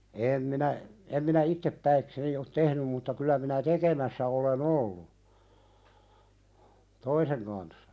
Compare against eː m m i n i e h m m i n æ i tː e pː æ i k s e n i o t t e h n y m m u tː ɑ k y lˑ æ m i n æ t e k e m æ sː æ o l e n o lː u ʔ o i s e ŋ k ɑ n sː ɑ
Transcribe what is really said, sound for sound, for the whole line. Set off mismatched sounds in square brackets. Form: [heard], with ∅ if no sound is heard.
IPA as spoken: eː m m i n [æ] e [∅] m m i n æ i tː e pː æ i k s e n i o t t e h n y m m u tː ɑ k y lˑ æ m i n æ t e k e m æ sː æ o l e n o lː u [t] o i s e ŋ k ɑ n sː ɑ

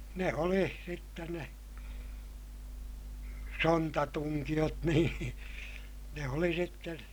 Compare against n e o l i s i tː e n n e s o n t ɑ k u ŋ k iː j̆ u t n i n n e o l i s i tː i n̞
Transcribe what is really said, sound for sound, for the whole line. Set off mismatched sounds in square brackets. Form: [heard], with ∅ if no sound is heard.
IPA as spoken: n e o l i s i tː e n n e s o n t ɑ [t] u ŋ k [i] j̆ [o] t n [iː] n n e o l i s i tː [e] n̞

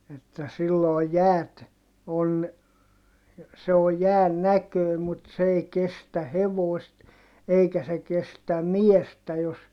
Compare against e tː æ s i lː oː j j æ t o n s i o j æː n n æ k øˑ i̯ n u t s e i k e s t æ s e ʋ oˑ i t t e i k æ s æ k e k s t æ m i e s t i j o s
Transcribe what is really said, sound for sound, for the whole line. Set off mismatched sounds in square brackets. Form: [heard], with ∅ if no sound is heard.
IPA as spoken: e tː æ s i lː oː j j [æː] t o n s [e] o j æː n n æ k øˑ i̯ [m] u t s e i k e s t æ [h] e ʋ oˑ i [s] t e i k æ s [e] k e [∅] s t æ m i e s t [æ] j o s

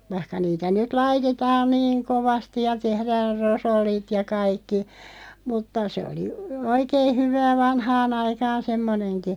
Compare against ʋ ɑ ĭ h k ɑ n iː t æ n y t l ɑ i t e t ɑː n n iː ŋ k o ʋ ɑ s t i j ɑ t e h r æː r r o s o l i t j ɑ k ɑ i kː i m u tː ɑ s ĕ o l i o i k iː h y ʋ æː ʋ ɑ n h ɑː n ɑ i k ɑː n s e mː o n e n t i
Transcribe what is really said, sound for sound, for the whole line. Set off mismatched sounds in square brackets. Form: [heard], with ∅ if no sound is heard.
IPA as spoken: ʋ ɑ ĭ h k ɑ n iː t æ n y t l ɑ i t e t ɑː n n iː ŋ k o ʋ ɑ s t i j ɑ t e h r æː r r o s o [lː] i t j ɑ k ɑ i kː i m u tː ɑ s ĕ o l i o i k [eː] h y ʋ æː ʋ ɑ n h ɑː n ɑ i k ɑː n s e mː o n e n [k] i

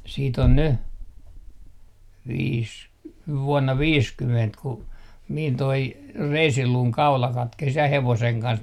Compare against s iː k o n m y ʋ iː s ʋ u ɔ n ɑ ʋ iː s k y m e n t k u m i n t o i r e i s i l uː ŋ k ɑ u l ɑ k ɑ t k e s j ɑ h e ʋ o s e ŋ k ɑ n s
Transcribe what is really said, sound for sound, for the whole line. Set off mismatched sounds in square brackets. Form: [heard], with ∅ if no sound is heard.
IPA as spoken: s iː [t] o n [n] y ʋ iː s ʋ u ɔ [nː] ɑ ʋ iː s k y m e n t k u m i n t o i r e i s i l uː ŋ k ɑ u l ɑ k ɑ t k e s j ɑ h e ʋ o s e ŋ k ɑ n s

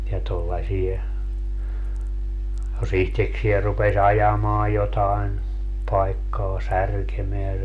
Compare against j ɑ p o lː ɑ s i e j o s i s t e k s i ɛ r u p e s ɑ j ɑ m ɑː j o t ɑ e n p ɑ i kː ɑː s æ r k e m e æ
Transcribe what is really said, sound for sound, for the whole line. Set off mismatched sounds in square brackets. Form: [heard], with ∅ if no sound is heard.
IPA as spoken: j ɑ [t] o lː ɑ s i e j o s i [h] t e k s i ɛ r u p e s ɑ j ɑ m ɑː j o t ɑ e n p ɑ i kː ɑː s æ r k e m e æ

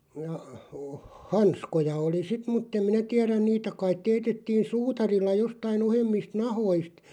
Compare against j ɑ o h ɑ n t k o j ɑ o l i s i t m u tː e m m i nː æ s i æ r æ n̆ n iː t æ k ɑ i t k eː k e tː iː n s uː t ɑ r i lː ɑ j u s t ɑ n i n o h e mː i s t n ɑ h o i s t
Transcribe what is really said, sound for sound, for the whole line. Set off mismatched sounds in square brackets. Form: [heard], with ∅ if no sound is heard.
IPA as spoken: j ɑ o h ɑ n [s] k o j ɑ o l i s i t m u tː e m m i [n] æ [t] i æ r æ n̆ n iː t æ k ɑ i t [t] eː [t] e tː iː n s uː t ɑ r i lː ɑ j [o] s t ɑ [∅] i n o h e mː i s t n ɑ h o i s t

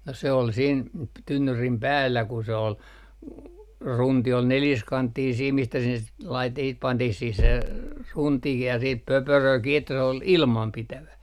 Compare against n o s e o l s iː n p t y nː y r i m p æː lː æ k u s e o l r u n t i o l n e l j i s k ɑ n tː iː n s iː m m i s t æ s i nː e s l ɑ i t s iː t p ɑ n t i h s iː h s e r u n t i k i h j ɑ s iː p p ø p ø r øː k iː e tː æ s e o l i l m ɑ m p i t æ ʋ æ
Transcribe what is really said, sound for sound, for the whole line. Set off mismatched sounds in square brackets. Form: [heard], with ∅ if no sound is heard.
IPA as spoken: n o s e o l s iː n p t y nː y r i m p æː lː æ k u s e o l r u n t i o l n e l j i s k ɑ n tː iː n s iː m m i s t æ s i nː e s l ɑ i t s iː t p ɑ n t i h s iː h s e r u n t i k i h j ɑ s iː p p ø p ø r øː k iː e tː æ s e o l i l m ɑ m p i t æ ʋ æ

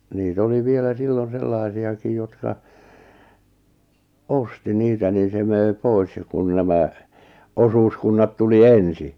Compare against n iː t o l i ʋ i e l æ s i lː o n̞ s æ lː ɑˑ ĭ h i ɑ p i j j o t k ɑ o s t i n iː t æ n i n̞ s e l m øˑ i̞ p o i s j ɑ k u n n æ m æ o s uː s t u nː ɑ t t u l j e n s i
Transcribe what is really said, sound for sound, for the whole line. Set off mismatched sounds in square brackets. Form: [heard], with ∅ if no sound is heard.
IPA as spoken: n iː t o l i ʋ i e l æ s i lː o n̞ s [e] lː ɑˑ ĭ [s] i ɑ [k] i j j o t k ɑ o s t i n iː t æ n i n̞ s e [∅] m øˑ i̞ p o i s j ɑ k u n n æ m æ o s uː s [k] u nː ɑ t t u l [i] e n s i

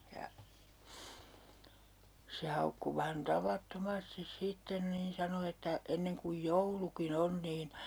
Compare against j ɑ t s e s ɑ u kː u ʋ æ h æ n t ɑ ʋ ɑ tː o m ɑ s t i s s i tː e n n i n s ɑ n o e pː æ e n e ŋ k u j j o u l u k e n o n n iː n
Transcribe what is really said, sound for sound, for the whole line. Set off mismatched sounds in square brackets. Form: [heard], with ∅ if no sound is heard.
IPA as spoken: j ɑ [∅] s e [h] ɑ u kː u ʋ æ h æ n t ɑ ʋ ɑ tː o m ɑ s t i s s i tː e n n [iː] n s ɑ n o e [tː] æ e [nː] e ŋ k u j j o u l u k [i] n o n n iː n

